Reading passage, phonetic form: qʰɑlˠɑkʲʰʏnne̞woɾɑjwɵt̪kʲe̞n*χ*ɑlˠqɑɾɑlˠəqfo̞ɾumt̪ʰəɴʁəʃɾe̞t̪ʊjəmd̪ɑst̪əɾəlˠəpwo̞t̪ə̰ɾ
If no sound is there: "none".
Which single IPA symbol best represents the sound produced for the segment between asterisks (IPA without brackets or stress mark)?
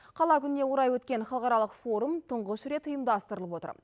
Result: χ